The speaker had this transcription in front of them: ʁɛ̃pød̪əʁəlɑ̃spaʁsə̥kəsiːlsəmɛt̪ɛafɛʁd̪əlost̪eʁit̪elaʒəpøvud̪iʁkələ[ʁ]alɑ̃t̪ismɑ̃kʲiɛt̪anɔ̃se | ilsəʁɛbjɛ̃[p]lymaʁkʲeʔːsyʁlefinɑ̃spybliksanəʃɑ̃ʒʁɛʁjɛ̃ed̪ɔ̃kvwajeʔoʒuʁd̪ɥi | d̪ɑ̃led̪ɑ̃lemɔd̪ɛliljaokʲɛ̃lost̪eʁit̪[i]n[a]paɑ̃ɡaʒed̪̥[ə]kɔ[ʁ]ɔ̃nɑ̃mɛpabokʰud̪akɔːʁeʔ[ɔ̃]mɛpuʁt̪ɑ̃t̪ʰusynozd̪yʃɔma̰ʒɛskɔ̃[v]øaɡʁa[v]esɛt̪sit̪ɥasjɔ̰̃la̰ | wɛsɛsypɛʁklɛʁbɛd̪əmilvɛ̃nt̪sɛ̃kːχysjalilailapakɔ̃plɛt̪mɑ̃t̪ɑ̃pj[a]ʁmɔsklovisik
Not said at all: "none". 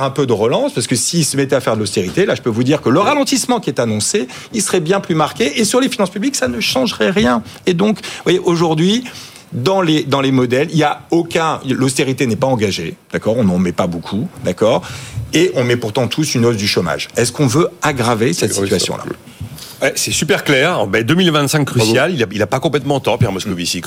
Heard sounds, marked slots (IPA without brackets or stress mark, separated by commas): ʁ, p, e, ɛ, a, ʁ, ɔ̃, v, v, ɛ